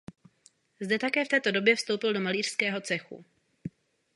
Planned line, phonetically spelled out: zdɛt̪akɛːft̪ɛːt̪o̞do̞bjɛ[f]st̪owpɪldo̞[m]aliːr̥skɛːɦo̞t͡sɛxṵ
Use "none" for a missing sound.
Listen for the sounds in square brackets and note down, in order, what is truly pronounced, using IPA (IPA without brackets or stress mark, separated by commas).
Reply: f, m